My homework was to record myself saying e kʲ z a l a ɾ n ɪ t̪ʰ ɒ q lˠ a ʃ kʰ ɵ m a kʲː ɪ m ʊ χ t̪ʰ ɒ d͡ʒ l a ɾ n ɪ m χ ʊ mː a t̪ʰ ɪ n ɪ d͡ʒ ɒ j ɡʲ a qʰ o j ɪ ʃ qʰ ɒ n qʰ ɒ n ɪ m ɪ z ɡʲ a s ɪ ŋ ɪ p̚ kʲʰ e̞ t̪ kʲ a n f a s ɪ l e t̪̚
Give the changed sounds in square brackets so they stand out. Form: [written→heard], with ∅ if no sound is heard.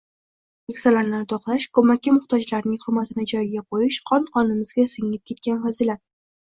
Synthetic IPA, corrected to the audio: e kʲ [z→s] a l a ɾ n ɪ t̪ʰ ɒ q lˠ a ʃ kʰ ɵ m a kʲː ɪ m ʊ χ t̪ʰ ɒ d͡ʒ l a ɾ n ɪ [m→ŋ] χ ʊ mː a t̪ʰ ɪ n ɪ d͡ʒ ɒ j ɡʲ a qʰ o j ɪ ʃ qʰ ɒ n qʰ ɒ n ɪ m ɪ z ɡʲ a s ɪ ŋ ɪ p̚ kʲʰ e̞ t̪ kʲ a n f a [s→z] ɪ l [e→a] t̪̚